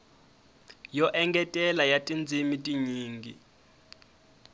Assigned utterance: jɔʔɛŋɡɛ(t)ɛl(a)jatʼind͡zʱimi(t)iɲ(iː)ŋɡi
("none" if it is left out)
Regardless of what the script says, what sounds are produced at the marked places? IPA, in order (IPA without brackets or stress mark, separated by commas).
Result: tʼ, a, tʼ, iː